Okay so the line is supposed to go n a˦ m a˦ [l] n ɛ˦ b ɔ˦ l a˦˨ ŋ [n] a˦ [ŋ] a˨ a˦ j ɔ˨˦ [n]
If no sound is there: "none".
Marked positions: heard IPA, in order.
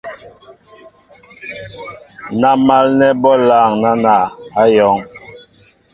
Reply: l, n, n, ŋ

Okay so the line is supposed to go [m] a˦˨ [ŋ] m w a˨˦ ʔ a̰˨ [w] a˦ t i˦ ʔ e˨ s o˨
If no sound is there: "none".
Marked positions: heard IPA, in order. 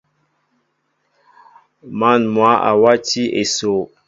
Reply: m, n, w

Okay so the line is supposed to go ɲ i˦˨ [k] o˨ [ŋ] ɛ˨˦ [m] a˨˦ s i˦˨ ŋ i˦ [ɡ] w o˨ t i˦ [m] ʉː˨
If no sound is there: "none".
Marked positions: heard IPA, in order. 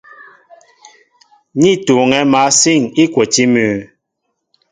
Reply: t, ŋ, m, k, m

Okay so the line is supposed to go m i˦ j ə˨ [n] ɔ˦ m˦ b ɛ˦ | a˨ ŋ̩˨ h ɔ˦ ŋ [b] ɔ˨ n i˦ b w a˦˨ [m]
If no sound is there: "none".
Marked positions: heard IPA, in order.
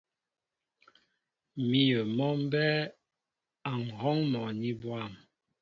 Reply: m, m, m

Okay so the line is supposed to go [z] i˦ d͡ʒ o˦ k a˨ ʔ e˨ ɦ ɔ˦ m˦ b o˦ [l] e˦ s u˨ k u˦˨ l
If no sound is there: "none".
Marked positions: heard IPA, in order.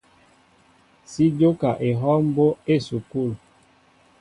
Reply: s, none

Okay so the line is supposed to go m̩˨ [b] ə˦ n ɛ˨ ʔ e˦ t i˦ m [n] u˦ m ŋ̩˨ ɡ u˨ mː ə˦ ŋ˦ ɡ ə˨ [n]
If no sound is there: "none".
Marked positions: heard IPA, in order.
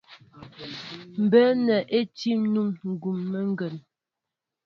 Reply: b, n, n

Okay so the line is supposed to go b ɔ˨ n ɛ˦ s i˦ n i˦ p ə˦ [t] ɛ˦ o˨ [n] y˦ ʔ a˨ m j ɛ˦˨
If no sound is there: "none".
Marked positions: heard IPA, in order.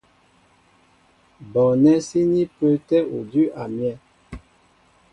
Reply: t, d

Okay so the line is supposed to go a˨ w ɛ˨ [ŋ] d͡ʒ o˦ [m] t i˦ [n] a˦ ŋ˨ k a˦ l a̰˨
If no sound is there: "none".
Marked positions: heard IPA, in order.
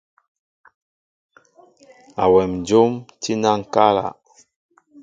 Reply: m, m, n

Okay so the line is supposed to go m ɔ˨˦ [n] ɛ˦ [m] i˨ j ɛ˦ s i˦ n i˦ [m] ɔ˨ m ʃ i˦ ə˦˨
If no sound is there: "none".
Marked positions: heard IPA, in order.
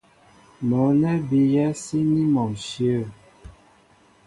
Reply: n, b, m

